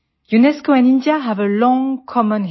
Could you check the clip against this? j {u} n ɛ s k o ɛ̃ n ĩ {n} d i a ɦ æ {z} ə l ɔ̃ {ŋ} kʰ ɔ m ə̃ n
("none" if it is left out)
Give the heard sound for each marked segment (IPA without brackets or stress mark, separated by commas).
u, n, v, ŋ